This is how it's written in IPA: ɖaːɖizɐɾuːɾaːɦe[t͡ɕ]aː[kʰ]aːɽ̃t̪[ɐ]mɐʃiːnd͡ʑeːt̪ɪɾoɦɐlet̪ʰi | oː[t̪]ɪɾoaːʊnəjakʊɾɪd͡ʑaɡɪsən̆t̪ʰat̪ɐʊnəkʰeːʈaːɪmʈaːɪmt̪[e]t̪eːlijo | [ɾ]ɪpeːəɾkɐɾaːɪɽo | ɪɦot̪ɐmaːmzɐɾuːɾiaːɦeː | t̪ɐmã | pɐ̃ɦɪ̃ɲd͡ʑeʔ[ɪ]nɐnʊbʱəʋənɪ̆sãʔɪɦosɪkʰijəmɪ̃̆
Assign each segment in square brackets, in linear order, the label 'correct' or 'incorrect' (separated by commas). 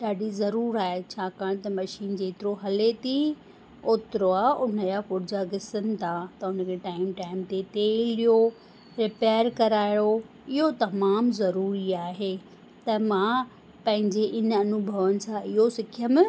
incorrect, incorrect, correct, correct, correct, correct, correct